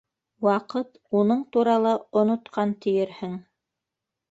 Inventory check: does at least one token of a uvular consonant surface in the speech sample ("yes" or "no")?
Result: yes